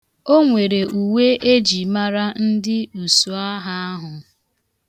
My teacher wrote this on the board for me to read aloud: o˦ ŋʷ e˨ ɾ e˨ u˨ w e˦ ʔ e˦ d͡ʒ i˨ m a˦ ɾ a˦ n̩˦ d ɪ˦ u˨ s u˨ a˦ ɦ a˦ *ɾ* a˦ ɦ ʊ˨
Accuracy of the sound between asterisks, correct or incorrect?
incorrect